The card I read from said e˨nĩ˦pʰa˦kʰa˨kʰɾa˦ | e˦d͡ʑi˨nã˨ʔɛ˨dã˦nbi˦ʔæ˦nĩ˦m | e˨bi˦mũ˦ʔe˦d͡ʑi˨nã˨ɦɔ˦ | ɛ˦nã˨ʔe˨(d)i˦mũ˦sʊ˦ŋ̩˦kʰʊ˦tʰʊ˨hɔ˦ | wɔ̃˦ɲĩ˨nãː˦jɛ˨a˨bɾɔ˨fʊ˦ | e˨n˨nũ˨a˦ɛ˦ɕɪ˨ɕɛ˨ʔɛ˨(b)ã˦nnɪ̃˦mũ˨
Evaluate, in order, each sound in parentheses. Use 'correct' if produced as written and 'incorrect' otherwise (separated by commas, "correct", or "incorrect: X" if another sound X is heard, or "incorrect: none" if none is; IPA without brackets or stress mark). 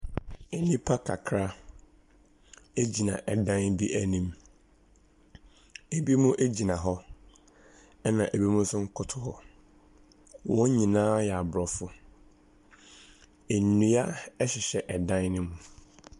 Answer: incorrect: b, incorrect: d